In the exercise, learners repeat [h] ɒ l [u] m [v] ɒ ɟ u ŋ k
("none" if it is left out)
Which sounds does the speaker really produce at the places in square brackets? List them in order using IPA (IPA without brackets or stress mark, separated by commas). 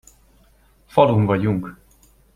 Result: f, u, v